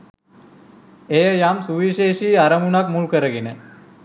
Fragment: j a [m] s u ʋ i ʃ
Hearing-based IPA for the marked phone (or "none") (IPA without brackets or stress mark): m